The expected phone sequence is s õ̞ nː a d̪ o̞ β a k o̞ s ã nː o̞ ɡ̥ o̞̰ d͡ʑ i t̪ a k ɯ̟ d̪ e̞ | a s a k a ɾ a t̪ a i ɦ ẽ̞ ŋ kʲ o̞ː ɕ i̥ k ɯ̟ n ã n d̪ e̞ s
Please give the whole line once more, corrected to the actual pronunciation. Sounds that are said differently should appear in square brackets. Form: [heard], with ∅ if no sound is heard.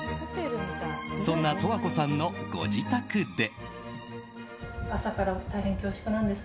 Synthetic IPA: s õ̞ nː a [t̪] o̞ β a k o̞ s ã nː o̞ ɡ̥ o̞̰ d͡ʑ i t̪ a k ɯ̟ d̪ e̞ | a s a k a ɾ a t̪ a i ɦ ẽ̞ ŋ kʲ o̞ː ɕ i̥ k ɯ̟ n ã n d̪ e̞ s